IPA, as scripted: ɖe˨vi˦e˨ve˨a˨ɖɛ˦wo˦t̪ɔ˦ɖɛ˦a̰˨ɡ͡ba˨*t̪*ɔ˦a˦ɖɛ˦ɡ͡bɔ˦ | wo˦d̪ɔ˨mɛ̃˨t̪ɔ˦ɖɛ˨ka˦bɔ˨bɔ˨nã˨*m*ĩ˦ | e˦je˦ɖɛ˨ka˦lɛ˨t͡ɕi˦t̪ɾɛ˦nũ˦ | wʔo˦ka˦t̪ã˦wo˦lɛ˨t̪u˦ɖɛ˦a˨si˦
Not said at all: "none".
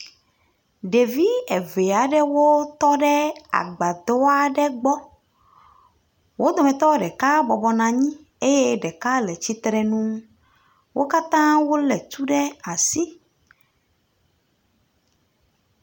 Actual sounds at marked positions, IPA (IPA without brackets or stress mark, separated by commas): d̪, ɲ